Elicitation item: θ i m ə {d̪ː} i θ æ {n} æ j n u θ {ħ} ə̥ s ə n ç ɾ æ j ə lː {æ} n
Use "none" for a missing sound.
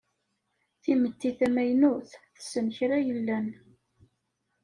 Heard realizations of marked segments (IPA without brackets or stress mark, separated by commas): t̪ː, m, θ, æ